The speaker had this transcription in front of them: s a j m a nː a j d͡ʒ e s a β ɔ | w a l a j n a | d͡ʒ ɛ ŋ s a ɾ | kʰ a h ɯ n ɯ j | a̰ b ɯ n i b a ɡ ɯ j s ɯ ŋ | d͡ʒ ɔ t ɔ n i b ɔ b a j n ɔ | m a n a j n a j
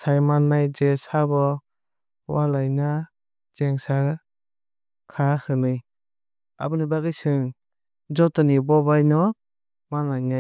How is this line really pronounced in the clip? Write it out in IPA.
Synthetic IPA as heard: s a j m a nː a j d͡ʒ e s a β ɔ | w a l a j n a | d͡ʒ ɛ ŋ s a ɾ | kʰ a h ɯ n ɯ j | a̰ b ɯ n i b a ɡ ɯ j s ɯ ŋ | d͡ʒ ɔ t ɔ n i b ɔ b a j n ɔ | m a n a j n a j